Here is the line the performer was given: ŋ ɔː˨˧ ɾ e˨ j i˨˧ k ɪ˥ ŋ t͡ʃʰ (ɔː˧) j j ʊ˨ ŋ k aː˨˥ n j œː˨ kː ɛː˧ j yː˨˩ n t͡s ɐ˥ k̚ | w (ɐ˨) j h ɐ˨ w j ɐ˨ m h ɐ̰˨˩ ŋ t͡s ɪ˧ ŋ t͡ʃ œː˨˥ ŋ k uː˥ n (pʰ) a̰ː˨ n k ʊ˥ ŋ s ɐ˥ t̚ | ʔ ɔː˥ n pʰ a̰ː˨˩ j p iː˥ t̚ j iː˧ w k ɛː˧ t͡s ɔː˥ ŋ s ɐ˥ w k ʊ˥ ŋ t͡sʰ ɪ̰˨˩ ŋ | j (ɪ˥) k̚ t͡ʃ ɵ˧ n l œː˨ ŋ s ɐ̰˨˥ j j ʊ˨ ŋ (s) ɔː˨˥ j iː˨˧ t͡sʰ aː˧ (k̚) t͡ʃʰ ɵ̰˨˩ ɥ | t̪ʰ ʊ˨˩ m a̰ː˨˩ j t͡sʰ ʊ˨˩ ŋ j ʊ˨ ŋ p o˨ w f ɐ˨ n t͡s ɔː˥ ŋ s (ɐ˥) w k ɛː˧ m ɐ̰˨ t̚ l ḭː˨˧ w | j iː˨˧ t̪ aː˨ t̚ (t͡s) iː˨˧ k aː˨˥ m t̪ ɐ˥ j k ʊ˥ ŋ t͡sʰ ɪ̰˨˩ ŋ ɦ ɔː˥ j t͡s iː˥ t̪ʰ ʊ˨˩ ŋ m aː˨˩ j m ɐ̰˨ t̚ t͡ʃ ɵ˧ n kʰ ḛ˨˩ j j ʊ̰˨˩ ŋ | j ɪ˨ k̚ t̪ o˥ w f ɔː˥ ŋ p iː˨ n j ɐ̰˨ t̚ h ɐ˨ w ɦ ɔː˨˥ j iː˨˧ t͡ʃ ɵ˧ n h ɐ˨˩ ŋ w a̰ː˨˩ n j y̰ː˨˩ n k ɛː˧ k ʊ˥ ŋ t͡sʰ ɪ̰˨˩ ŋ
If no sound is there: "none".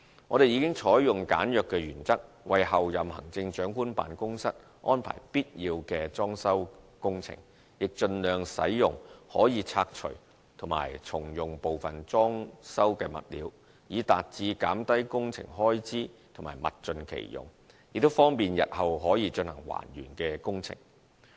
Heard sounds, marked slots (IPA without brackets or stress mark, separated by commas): ɔː˨˥, ɐ˨, p, ɪ˨, h, k̚, ɐ˥, t͡s